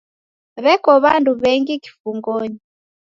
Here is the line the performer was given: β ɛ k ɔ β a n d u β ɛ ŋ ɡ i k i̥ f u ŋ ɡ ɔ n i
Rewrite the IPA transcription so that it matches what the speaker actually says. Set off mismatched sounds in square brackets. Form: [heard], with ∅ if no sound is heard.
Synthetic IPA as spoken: β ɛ k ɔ β a n d u β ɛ ŋ ɡ i k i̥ f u ŋ ɡ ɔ [ɲ] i